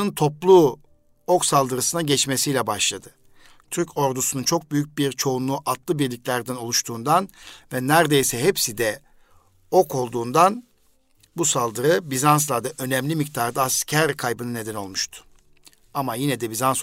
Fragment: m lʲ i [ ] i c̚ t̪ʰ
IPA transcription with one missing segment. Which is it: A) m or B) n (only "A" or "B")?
A